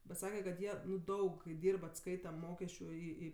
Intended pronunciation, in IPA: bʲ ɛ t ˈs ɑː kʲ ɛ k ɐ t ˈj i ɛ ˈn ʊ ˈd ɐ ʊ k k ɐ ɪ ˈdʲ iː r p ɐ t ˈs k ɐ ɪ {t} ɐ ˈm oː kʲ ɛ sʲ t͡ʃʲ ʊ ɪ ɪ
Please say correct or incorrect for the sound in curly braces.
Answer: correct